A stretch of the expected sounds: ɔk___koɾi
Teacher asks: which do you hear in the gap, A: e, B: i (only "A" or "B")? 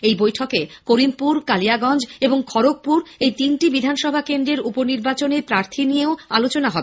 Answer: A